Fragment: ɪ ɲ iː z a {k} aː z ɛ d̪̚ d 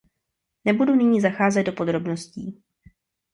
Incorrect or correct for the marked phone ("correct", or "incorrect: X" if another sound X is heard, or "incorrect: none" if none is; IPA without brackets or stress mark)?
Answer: incorrect: x